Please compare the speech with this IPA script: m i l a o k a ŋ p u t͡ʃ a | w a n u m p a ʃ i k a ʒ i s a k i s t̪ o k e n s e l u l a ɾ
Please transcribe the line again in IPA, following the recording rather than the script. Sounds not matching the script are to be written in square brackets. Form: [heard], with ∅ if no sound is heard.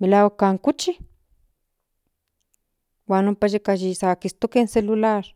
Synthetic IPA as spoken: m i l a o k a ŋ [k] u t͡ʃ [i] | w a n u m p a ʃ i k a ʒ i s a k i s t̪ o k e n s e l u l a ɾ